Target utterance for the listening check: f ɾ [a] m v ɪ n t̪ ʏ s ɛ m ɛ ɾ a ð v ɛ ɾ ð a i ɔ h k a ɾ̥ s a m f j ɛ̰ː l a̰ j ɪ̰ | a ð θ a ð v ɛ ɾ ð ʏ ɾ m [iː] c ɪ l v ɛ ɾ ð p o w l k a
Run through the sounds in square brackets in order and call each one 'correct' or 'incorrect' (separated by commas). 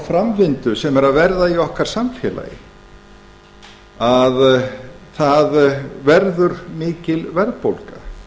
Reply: correct, incorrect